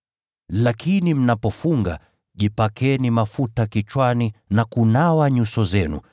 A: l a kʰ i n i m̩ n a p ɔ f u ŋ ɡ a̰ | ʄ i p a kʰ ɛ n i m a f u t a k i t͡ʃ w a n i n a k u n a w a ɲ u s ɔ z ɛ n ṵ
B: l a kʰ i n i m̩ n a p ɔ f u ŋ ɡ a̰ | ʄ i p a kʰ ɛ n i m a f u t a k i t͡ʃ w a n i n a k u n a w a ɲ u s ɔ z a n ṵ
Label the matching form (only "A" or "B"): A